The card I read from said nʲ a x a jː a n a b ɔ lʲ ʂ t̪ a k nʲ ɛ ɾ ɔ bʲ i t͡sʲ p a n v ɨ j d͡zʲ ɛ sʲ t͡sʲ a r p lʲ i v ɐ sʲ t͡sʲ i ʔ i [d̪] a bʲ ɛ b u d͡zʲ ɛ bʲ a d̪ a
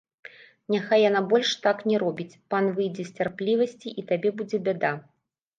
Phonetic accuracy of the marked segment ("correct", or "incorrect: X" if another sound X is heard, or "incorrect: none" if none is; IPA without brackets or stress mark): incorrect: t̪